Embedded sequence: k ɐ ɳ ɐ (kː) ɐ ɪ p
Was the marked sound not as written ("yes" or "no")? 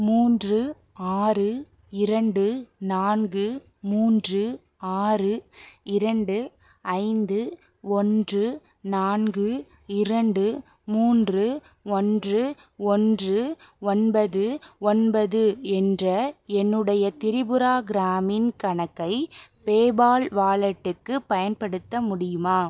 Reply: no